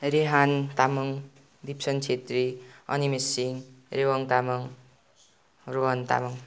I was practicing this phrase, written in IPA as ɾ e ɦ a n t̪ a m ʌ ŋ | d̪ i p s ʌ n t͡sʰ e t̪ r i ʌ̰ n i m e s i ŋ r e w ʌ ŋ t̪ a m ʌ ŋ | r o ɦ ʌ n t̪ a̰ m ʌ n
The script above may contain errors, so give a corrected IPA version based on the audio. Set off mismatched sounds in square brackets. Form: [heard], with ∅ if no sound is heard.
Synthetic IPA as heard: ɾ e ɦ a n t̪ a m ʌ ŋ | d̪ i p s ʌ n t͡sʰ e t̪ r i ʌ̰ n i m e s i ŋ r e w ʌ ŋ t̪ a m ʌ ŋ | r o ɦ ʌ n t̪ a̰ m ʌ [ŋ]